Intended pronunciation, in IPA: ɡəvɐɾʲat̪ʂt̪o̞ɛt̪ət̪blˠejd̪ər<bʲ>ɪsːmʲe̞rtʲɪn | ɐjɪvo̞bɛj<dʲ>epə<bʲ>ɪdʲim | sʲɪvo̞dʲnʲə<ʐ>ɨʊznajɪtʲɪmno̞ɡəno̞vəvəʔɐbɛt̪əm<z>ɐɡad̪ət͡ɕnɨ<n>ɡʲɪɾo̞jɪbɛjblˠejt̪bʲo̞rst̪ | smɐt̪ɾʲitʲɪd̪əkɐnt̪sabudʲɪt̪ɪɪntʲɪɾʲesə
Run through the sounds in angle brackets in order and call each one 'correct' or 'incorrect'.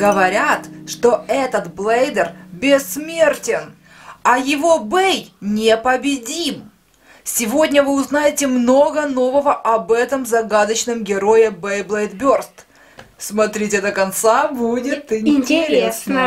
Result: correct, incorrect, correct, incorrect, correct, incorrect

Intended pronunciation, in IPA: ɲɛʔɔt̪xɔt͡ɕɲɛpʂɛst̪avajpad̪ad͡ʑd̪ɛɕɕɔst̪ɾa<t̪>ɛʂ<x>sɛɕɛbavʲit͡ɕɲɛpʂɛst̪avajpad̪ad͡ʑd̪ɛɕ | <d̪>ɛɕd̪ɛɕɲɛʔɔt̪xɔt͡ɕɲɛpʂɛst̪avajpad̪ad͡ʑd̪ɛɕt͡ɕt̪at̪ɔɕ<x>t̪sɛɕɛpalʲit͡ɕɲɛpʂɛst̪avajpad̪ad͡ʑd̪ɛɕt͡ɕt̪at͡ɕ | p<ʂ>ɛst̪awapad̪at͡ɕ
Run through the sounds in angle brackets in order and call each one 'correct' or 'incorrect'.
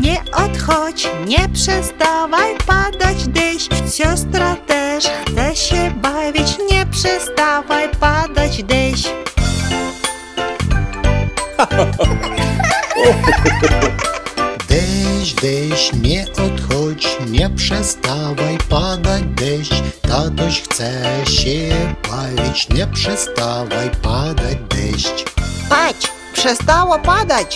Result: correct, correct, correct, correct, correct

